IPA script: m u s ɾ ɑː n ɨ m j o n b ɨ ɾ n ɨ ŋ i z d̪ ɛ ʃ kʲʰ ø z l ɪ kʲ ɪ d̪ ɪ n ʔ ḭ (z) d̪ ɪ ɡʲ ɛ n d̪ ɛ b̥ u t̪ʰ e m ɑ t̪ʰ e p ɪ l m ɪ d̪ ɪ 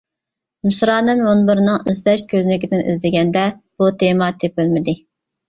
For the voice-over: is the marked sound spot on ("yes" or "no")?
yes